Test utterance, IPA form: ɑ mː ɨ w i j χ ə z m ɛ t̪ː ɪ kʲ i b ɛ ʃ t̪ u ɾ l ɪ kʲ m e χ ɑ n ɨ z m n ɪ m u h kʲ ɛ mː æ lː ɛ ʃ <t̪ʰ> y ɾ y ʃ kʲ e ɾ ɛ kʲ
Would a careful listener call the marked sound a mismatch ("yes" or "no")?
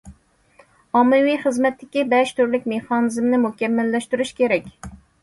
yes